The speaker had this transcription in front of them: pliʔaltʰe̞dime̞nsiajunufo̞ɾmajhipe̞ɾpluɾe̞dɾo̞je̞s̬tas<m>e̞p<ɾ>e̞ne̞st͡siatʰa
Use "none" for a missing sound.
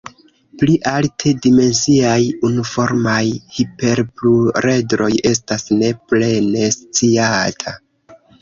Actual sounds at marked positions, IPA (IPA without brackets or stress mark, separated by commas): n, l